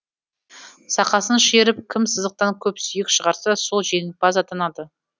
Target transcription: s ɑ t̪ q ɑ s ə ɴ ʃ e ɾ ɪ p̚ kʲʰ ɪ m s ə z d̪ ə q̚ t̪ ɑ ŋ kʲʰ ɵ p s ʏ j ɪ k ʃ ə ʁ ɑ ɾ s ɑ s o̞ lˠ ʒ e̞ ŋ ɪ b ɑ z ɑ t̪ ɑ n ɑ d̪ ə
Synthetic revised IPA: s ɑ q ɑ s ə n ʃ e ɾ ɪ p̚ kʲʰ ɪ m s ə z d̪ ə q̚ t̪ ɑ ŋ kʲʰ ɵ p s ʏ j ɪ k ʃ ə ʁ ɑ ɾ s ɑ s o̞ lˠ ʒ e̞ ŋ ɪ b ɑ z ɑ t̪ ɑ n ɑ d̪ ə